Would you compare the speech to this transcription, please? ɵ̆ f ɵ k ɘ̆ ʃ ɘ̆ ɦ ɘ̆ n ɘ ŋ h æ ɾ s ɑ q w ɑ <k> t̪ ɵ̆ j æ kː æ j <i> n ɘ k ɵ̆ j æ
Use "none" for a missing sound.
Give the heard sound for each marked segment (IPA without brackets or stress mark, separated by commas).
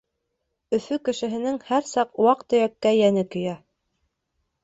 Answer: q, æ